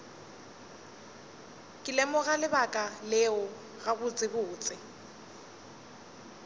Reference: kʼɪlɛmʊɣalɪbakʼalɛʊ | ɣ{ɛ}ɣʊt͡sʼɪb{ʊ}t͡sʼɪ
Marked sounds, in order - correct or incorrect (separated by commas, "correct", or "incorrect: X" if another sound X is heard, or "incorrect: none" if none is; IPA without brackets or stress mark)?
incorrect: a, incorrect: ʊː